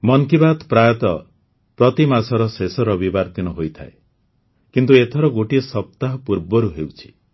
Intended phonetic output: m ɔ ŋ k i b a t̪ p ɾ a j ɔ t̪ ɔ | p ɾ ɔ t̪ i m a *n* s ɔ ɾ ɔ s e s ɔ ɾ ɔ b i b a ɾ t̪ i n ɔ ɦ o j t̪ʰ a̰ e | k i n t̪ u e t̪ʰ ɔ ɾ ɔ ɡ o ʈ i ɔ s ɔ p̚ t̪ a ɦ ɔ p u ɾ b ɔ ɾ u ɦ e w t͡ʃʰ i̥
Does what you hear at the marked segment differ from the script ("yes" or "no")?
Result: yes